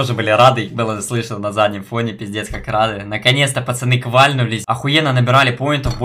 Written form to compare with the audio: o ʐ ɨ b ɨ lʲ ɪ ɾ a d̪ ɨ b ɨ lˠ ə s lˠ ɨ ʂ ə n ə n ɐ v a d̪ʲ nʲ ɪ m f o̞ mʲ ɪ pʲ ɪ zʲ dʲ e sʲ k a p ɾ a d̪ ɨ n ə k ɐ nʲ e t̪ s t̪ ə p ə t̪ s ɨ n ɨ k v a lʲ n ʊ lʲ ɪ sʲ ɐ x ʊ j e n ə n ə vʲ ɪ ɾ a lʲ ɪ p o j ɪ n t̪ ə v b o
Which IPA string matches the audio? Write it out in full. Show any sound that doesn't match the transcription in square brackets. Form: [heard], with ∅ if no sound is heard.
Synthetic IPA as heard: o ʐ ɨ b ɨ lʲ ɪ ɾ a d̪ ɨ b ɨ lˠ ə s lˠ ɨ ʂ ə n ə n ɐ [z] a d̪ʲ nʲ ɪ m f o̞ [nʲ] ɪ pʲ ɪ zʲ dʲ e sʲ k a [k] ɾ a d̪ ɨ n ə k ɐ nʲ e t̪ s t̪ ə p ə t̪ s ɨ n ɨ k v a lʲ n ʊ lʲ ɪ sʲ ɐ x ʊ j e n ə n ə [bʲ] ɪ ɾ a lʲ ɪ p o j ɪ n t̪ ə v b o